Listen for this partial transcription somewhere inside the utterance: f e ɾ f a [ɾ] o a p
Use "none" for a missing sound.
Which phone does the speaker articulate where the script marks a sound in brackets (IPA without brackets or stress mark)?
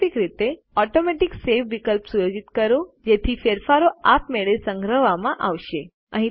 ɾ